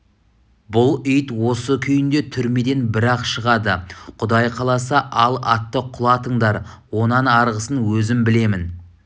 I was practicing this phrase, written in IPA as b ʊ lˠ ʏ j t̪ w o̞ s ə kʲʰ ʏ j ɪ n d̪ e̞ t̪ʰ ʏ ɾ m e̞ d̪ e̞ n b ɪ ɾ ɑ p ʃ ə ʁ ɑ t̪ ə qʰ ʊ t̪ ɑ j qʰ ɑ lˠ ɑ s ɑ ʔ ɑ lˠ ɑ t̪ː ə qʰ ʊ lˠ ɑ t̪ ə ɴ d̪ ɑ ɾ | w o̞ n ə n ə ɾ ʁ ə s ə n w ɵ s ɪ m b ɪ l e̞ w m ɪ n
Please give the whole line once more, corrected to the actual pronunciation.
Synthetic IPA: b ʊ lˠ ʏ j t̪ w o̞ s ə kʲʰ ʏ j ɪ n d̪ e̞ t̪ʰ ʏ ɾ m e̞ d̪ e̞ n b ɪ ɾ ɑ q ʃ ə ʁ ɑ d̪ ə qʰ ʊ d̪ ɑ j qʰ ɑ lˠ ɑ s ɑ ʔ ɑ lˠ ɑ t̪ː ə qʰ ʊ lˠ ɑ t̪ ə ɴ d̪ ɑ ɾ | w o̞ n ɑ n ɑ ɾ ʁ ə s ə n w ɵ z ɪ m b ɪ l e̞ m ɪ n